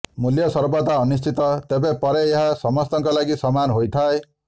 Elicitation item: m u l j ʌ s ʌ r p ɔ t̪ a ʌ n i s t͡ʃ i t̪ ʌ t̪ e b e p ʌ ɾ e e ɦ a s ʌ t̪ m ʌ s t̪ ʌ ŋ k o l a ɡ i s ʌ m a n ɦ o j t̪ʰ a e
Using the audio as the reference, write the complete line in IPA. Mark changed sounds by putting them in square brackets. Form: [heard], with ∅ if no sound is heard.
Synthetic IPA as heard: m u l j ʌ s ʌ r [b] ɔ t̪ a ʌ n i s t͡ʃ i t̪ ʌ t̪ e b e p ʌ ɾ e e ɦ a s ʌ [∅] m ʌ s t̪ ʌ ŋ k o l a ɡ i s ʌ m a n ɦ o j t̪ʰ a e